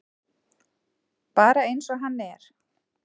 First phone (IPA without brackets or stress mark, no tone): p